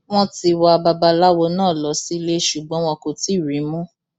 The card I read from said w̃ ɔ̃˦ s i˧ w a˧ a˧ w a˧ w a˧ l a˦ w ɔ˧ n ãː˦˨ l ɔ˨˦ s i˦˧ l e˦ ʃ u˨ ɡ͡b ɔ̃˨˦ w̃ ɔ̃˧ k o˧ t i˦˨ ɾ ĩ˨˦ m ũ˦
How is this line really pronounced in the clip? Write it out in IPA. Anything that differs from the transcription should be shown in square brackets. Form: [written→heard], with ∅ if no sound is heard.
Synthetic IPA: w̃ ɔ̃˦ [s→t] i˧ w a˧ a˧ [w→b] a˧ [w→b] a˧ l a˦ w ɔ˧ n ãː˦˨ l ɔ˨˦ s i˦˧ l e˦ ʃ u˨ ɡ͡b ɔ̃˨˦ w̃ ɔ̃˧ k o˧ t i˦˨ ɾ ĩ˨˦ m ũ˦